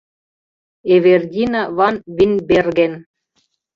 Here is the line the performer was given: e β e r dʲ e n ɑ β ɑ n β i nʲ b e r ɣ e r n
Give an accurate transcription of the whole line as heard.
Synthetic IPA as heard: e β e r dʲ i n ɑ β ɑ n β i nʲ b e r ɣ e n